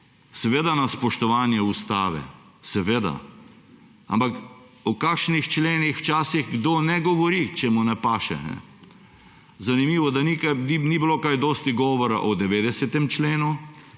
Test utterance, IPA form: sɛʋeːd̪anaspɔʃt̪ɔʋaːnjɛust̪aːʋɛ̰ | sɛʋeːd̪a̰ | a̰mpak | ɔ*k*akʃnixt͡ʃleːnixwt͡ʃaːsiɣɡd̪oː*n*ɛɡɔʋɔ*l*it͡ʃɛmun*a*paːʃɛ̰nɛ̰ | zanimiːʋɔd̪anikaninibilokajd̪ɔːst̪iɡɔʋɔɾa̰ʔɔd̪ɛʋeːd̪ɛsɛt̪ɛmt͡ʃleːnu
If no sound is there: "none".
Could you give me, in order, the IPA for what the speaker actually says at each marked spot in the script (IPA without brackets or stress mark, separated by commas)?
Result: k, n, ɾ, ɛ